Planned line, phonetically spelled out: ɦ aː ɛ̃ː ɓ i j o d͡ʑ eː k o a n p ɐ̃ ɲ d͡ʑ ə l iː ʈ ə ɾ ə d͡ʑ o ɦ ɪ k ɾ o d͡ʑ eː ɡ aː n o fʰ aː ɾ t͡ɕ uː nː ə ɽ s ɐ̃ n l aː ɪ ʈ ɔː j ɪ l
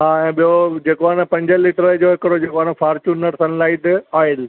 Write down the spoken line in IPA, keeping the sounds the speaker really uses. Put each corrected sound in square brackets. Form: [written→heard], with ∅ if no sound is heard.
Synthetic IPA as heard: ɦ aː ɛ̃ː ɓ i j o d͡ʑ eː k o a n p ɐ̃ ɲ d͡ʑ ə l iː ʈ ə ɾ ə d͡ʑ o ɦ ɪ k ɾ o d͡ʑ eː [ɡ→k] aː n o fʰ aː ɾ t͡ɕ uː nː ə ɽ s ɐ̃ n l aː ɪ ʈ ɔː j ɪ l